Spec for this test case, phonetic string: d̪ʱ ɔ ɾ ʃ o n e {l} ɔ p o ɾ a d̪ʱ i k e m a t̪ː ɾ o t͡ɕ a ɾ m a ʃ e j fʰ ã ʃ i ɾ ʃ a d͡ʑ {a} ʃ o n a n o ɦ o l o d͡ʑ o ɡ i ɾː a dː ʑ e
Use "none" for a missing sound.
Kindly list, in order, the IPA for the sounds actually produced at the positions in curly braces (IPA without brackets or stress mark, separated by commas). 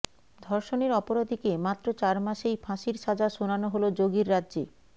ɾ, a